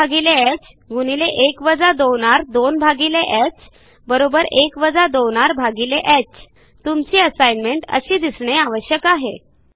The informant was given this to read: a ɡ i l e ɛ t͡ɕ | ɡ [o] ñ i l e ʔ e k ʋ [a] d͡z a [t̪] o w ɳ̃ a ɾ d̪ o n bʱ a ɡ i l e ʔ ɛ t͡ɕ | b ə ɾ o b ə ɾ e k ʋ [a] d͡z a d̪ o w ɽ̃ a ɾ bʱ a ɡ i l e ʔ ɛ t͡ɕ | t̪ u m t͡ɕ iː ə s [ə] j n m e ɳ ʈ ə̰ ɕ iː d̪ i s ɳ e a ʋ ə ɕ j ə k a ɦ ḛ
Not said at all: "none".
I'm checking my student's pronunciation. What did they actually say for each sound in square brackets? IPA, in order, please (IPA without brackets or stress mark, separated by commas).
u, ə, d̪, ə, a